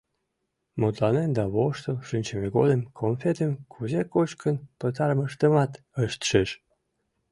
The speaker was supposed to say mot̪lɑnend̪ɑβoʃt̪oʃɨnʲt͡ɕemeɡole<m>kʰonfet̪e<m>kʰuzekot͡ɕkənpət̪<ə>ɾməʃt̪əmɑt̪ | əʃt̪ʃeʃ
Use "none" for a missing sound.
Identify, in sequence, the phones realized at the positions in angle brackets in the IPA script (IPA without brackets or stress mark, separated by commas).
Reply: m, m, ɑ